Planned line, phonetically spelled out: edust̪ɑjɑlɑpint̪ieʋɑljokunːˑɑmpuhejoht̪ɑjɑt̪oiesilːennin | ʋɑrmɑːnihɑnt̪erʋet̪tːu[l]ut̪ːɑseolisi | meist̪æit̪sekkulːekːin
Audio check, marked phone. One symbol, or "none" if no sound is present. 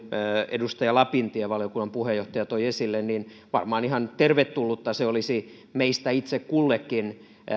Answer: lː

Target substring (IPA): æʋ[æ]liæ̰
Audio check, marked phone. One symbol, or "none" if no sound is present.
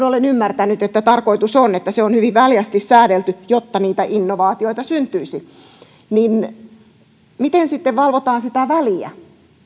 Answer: æ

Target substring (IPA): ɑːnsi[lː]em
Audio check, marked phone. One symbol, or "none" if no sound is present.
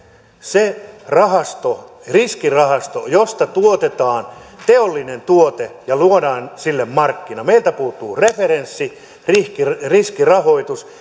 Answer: lː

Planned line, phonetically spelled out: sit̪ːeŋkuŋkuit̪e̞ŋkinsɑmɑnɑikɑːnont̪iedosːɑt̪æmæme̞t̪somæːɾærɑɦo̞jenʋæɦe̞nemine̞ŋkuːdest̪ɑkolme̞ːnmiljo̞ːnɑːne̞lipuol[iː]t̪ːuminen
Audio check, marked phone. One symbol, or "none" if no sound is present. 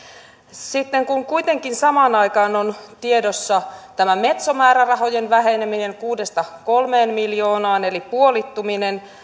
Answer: i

